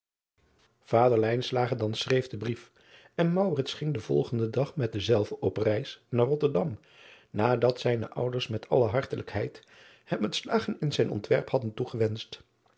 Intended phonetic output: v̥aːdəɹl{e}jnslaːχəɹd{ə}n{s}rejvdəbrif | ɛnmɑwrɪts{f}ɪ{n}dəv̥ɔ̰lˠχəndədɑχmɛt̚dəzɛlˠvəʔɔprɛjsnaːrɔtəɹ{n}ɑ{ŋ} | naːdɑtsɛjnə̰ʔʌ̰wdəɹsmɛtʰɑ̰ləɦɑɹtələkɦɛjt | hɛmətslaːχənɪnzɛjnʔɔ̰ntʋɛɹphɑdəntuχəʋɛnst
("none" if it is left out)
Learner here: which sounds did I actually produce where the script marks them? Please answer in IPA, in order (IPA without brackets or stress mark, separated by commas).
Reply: ɛ, ɑ, s, χ, ŋ, d, m